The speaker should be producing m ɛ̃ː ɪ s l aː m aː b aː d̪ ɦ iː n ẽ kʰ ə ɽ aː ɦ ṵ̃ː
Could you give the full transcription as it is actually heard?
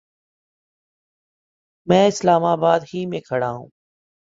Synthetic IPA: m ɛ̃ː ɪ s l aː m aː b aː d̪ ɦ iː m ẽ kʰ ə ɽ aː ɦ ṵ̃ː